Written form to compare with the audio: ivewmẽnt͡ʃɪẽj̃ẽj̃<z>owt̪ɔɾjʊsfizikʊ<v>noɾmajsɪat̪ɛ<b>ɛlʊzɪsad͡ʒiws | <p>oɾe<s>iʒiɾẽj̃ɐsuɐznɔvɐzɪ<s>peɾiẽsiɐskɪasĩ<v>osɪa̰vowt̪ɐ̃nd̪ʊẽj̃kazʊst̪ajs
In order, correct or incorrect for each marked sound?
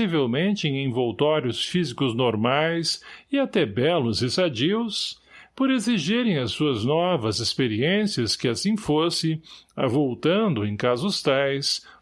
incorrect: v, incorrect: z, correct, correct, incorrect: z, correct, incorrect: f

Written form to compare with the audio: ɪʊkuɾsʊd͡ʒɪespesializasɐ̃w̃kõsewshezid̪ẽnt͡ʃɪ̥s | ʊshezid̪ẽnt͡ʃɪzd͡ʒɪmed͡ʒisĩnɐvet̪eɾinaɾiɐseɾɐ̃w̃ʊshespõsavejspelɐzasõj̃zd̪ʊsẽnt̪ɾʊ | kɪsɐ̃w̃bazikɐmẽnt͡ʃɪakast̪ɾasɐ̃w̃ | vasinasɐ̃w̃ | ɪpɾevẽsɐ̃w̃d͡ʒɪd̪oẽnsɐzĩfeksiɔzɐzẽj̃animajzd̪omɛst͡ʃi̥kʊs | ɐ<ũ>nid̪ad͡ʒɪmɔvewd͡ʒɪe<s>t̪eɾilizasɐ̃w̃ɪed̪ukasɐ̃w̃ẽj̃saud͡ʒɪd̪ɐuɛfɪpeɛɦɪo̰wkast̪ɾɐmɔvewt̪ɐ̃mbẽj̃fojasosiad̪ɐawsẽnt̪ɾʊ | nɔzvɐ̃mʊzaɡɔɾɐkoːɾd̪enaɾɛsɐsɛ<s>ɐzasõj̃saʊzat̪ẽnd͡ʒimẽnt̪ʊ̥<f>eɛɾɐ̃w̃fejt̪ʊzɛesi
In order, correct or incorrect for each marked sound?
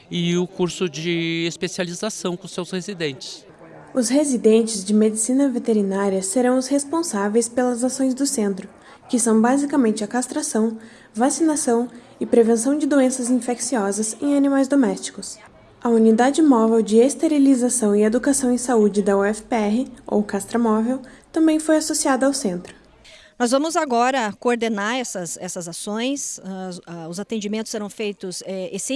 incorrect: u, correct, correct, incorrect: s

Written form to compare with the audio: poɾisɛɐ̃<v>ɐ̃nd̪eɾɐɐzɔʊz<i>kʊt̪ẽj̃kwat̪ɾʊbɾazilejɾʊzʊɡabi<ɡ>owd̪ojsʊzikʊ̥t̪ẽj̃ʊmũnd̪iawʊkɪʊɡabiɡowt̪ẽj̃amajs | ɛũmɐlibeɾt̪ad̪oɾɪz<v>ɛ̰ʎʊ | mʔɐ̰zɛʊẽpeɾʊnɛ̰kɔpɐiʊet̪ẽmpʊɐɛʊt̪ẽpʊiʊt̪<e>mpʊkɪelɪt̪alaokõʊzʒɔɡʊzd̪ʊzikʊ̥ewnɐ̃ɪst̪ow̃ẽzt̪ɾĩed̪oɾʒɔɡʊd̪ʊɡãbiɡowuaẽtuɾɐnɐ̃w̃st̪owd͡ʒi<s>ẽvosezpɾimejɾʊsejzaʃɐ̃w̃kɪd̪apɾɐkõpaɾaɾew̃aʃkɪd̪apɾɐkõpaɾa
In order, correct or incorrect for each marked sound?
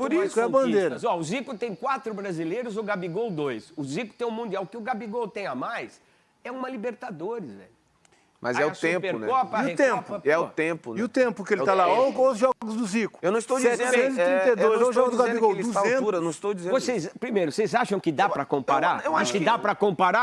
incorrect: b, correct, correct, correct, incorrect: ẽ, incorrect: z

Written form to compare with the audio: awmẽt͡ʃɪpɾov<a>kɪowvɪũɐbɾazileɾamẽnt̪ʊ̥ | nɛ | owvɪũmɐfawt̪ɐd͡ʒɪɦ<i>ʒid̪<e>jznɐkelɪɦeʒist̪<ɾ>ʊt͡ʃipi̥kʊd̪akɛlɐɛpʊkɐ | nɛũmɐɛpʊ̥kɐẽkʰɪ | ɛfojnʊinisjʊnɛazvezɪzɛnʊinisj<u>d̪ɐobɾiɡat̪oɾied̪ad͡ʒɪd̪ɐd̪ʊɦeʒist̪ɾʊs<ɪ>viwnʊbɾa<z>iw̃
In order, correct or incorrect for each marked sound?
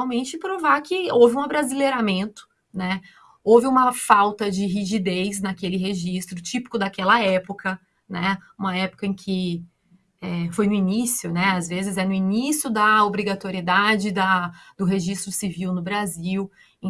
correct, correct, correct, correct, incorrect: ʊ, incorrect: i, correct

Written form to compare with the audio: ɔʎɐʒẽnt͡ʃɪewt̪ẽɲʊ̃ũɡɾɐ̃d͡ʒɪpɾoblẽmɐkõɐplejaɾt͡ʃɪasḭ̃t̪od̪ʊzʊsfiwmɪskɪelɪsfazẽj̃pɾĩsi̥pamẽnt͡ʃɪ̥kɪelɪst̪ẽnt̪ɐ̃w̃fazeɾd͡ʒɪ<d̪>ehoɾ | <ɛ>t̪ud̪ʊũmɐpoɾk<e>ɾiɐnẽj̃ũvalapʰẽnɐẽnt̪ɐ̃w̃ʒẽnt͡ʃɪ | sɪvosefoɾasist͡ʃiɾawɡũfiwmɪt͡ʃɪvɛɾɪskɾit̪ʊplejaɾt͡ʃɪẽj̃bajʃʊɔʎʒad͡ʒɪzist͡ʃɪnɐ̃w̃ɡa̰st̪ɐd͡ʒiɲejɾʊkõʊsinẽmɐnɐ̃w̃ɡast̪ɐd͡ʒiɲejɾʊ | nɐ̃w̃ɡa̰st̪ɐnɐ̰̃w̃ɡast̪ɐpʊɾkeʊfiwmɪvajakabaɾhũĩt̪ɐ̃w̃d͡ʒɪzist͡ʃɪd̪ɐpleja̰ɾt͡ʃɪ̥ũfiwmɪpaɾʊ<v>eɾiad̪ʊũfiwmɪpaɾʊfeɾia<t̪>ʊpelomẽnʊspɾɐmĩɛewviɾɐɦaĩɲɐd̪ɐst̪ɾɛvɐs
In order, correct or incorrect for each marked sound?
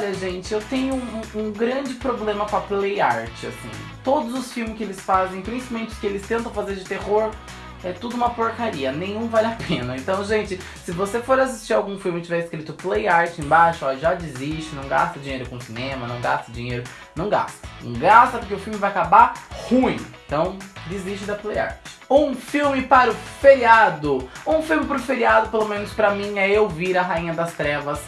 incorrect: t̪, correct, incorrect: a, incorrect: f, incorrect: d̪

